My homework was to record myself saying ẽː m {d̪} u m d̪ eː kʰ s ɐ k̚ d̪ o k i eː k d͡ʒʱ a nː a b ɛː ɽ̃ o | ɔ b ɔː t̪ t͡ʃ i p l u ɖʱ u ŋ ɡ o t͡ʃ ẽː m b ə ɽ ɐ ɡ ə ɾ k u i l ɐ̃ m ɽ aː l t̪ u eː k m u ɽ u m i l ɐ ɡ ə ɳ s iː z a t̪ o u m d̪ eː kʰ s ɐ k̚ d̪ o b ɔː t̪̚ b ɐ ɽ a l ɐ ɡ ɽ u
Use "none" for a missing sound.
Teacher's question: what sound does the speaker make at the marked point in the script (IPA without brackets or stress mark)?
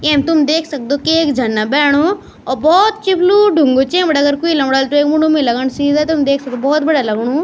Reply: t̪